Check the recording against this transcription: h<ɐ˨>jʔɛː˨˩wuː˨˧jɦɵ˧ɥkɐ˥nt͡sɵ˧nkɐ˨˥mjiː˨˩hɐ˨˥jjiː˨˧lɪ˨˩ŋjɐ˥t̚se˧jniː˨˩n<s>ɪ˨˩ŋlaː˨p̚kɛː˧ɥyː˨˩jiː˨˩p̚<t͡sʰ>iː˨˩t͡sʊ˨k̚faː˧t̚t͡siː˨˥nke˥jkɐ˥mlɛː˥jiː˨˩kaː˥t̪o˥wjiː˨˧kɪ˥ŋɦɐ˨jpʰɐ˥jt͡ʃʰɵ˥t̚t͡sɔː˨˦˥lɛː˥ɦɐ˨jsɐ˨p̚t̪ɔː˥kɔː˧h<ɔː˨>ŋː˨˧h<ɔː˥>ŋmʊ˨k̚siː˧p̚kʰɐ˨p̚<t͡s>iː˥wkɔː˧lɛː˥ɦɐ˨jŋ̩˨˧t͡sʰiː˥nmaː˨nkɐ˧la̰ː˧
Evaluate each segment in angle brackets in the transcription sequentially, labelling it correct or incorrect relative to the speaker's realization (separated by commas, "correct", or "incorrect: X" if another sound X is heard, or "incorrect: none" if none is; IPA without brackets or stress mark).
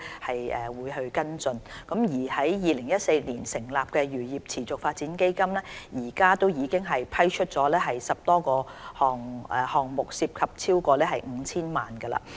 correct, correct, correct, correct, incorrect: ɔː˨˩, incorrect: t͡sʰ